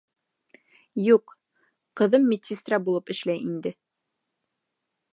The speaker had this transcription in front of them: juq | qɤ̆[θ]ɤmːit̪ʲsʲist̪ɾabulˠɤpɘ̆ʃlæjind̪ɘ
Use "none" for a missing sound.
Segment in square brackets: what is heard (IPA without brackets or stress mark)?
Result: ð